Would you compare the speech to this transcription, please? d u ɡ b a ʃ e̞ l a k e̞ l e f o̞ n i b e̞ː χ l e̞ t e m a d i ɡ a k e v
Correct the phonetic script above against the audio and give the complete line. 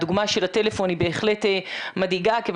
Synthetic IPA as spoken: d u ɡ m a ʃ e̞ l a t e̞ l e f o̞ n i b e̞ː χ l e̞ t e m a d i ɡ a k e v